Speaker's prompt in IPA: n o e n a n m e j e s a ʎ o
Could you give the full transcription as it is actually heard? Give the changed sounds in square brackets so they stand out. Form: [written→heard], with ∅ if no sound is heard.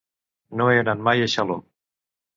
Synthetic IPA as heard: n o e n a n m [e→a] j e [s→ʃ] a [ʎ→l] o

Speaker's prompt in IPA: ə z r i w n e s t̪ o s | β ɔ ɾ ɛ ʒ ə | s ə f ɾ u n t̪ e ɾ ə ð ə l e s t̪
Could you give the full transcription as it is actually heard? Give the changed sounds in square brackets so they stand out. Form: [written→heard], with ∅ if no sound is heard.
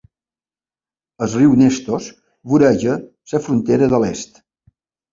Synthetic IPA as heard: ə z r i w n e s t̪ o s | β [ɔ→u] ɾ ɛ ʒ ə | s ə f ɾ u n t̪ e ɾ ə ð ə l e s t̪

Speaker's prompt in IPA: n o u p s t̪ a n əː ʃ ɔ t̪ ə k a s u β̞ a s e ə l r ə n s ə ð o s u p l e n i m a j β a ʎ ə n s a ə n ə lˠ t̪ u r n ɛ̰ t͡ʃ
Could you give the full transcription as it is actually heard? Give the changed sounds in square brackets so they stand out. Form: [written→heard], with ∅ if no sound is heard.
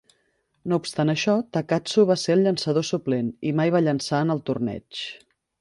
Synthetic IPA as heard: n o u p s t̪ a n [əː→ə] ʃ ɔ t̪ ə k a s u β̞ a s e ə l [r→ʎ] ə n s ə ð o s u p l e n i m a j β a ʎ ə n s a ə n ə lˠ t̪ u r n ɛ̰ t͡ʃ

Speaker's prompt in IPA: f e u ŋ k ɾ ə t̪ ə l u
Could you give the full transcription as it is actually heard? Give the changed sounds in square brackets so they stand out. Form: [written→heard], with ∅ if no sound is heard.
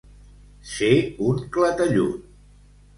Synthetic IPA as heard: [f→s] e u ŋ k [ɾ→l] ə t̪ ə [l→ʎ] u

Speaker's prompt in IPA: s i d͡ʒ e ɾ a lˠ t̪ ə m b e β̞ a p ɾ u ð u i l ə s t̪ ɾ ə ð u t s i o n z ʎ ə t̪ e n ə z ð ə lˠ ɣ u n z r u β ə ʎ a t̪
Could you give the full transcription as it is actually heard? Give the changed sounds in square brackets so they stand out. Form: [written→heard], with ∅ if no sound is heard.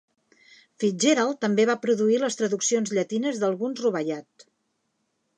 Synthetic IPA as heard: [s→f] i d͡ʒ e ɾ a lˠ t̪ ə m b e β̞ a p ɾ u ð u i l ə s t̪ ɾ ə ð u [t→k] s i o n z ʎ ə t̪ [e→i] n ə z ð ə lˠ ɣ u n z r u β ə ʎ a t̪

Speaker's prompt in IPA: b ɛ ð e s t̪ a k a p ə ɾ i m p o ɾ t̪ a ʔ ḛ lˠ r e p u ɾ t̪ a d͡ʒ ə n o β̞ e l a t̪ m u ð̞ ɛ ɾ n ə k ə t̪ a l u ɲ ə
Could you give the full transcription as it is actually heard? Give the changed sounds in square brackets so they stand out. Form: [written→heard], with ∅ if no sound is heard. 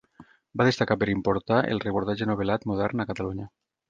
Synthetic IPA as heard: b [ɛ→a] ð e s t̪ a k a p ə ɾ i m p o ɾ t̪ a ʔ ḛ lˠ r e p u ɾ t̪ a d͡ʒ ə n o β̞ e l a t̪ m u ð̞ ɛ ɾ n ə k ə t̪ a l u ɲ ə

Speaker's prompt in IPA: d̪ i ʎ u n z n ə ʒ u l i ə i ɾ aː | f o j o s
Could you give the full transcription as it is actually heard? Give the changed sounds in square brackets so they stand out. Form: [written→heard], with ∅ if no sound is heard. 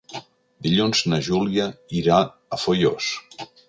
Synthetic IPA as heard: d̪ i ʎ u n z n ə ʒ u l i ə i ɾ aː | f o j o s

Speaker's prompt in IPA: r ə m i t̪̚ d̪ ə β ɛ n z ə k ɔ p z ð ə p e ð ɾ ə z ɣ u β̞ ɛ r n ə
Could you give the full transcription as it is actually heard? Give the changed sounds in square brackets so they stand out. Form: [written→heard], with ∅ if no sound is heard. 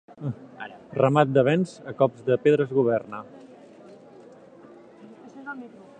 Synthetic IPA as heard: r ə m [i→a] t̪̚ d̪ ə β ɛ n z ə k ɔ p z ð ə p e ð ɾ ə z ɣ u β̞ ɛ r n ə

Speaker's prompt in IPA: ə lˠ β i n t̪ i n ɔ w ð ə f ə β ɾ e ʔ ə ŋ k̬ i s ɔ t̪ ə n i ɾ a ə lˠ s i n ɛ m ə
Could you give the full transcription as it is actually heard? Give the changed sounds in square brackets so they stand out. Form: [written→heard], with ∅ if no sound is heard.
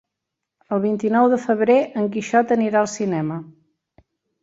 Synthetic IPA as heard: ə lˠ β i n t̪ i n ɔ w ð ə f ə β ɾ e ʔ ə ŋ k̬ i [s→ʃ] ɔ t̪ ə n i ɾ a ə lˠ s i n ɛ m ə

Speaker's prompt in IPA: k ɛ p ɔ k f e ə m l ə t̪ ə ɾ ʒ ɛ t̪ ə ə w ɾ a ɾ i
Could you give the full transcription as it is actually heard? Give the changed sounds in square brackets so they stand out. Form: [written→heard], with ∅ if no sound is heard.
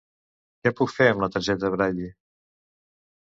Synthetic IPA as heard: k ɛ p [ɔ→u] k f e ə m l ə t̪ ə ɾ ʒ ɛ t̪ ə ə [w→β] ɾ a [ɾ→ʎ] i

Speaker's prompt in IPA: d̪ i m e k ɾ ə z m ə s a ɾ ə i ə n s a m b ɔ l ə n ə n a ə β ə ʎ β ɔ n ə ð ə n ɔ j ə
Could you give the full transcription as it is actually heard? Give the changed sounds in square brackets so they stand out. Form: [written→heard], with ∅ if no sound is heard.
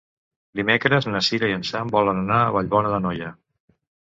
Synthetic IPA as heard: d̪ i m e k ɾ ə z [m→n] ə s [a→i] ɾ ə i ə n s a m b ɔ l ə n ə n a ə β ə ʎ β ɔ n ə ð ə n ɔ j ə

